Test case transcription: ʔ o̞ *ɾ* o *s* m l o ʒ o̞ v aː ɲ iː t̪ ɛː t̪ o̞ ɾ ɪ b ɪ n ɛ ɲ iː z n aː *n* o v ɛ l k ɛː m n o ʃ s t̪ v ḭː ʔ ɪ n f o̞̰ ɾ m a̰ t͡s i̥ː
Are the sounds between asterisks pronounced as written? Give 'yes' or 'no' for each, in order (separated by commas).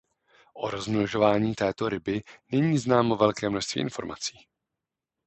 yes, no, no